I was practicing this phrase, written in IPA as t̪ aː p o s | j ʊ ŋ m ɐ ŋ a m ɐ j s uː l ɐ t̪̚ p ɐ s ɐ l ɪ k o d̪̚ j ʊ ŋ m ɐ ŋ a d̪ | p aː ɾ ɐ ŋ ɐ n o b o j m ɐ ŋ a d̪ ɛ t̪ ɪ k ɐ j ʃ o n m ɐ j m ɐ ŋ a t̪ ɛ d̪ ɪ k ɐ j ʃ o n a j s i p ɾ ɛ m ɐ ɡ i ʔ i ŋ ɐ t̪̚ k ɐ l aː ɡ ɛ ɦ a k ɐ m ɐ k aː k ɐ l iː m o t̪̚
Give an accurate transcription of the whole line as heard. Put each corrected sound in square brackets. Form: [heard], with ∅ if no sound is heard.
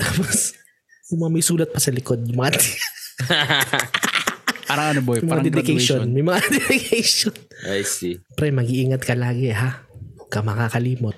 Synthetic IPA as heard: t̪ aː p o s | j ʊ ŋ m ɐ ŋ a m ɐ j s uː l ɐ t̪̚ p ɐ s ɐ l ɪ k o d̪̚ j ʊ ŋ m ɐ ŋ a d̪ | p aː ɾ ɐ ŋ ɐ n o b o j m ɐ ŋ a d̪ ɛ [d̪] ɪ k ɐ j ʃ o n m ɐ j m ɐ ŋ a [d̪] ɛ d̪ ɪ k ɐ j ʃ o n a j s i p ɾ ɛ m ɐ ɡ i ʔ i ŋ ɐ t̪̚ k ɐ l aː ɡ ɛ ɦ a k ɐ m ɐ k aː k ɐ l iː m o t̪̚